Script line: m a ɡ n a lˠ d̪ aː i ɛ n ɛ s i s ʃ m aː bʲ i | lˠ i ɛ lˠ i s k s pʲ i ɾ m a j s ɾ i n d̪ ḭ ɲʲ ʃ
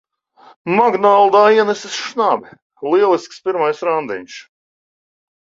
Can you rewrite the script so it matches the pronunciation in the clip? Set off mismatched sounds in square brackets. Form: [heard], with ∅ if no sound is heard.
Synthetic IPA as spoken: m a ɡ n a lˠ d̪ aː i ɛ n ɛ s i s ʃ [n] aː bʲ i | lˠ i ɛ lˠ i s k s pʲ i ɾ m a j s ɾ [a] n d̪ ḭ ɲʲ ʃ